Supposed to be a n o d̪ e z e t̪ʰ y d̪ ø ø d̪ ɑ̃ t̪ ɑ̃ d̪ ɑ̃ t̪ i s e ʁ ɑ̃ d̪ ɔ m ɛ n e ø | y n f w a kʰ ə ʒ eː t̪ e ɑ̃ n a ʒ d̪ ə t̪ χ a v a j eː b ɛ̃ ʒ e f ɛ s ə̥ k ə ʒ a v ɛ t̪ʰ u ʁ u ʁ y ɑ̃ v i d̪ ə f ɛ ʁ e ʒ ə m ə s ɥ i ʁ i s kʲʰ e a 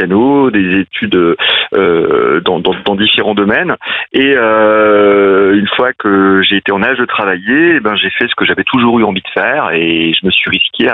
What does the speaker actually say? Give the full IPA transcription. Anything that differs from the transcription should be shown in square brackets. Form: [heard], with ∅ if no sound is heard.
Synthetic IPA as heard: a n o d̪ e z e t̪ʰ y d̪ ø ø d̪ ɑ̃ [d̪] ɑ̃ d̪ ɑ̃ [d̪] i [f] e ʁ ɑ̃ d̪ ɔ m ɛ n e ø | y n f w a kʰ ə ʒ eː t̪ e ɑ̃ n a ʒ d̪ ə t̪ χ a v a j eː b ɛ̃ ʒ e f ɛ s ə̥ k ə ʒ a v ɛ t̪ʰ u [ʒ] u ʁ y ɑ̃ v i d̪ ə f ɛ ʁ e ʒ ə m ə s ɥ i ʁ i s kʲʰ e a